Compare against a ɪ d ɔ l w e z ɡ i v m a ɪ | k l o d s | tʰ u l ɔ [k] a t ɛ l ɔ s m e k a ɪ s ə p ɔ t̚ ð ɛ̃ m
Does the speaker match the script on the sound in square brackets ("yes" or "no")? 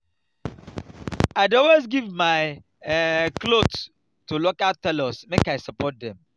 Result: yes